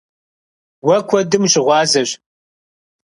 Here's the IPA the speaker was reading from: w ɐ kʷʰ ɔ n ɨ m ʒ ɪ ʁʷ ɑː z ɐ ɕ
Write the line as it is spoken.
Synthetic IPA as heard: w ɐ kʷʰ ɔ d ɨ m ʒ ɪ ʁʷ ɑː z ɐ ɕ